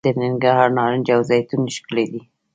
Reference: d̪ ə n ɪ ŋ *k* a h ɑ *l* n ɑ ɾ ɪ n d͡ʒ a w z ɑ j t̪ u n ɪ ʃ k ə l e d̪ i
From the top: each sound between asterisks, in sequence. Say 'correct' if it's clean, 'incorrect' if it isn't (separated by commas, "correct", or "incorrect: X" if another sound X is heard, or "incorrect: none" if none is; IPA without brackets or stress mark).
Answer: incorrect: ɡ, incorrect: ɾ